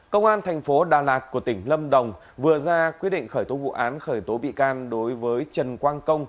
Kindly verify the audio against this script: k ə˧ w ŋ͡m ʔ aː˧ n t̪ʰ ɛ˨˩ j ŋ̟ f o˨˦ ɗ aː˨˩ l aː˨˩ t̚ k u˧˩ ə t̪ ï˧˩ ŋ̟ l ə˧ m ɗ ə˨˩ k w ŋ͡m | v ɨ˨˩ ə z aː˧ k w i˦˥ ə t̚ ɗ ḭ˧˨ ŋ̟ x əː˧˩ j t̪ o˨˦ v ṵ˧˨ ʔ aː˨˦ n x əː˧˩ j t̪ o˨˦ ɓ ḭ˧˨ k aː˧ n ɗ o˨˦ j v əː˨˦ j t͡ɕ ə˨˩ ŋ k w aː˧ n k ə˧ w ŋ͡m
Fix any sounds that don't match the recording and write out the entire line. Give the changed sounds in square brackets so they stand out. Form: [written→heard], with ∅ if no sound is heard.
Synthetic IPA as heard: k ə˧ w ŋ͡m ʔ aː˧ n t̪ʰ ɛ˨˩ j ŋ̟ f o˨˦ ɗ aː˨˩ l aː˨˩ t̚ k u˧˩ ə t̪ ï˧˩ ŋ̟ l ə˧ m ɗ ə˨˩ [k→∅] w ŋ͡m | v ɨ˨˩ ə z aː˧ k w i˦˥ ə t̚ ɗ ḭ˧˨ ŋ̟ x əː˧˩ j t̪ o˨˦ v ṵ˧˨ ʔ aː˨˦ n x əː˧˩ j t̪ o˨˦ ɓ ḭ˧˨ k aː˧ n ɗ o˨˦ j v əː˨˦ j t͡ɕ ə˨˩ [ŋ→n] k w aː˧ n k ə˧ w ŋ͡m